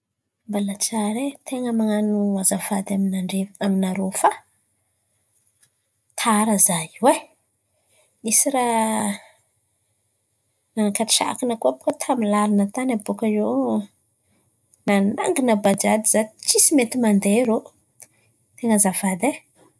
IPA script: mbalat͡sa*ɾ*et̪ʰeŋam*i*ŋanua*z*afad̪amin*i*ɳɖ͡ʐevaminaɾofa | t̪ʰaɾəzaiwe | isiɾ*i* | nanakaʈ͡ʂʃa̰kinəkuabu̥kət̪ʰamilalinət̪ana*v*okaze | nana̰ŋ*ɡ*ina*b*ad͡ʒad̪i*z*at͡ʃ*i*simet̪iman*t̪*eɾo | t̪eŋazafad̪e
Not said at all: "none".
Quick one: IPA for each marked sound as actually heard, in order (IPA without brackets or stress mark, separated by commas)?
ɾ, a, z, a, a, b, ɡ, b, z, i, d̪